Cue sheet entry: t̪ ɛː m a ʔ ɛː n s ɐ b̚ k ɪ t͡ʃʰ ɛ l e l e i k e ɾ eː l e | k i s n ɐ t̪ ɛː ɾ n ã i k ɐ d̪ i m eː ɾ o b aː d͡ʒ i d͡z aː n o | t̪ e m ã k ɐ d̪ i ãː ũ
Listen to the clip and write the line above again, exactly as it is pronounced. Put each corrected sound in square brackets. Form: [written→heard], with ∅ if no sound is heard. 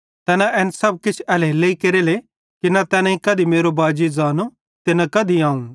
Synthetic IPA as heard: t̪ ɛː [m→n] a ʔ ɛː n s ɐ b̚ k ɪ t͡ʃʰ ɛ l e l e i k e ɾ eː l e | k i [s→∅] n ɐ t̪ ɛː [ɾ→∅] n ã i k ɐ d̪ i m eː ɾ o b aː d͡ʒ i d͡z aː n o | t̪ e [m→n] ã k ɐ d̪ i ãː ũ